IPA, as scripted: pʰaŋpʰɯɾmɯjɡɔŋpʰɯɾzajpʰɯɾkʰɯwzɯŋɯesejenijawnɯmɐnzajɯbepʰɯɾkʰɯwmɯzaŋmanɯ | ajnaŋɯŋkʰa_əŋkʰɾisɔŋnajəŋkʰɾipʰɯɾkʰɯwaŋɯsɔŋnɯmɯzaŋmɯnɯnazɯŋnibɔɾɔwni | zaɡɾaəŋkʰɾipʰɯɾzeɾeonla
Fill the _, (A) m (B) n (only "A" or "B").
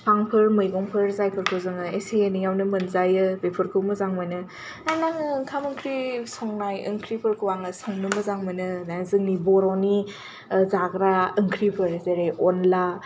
A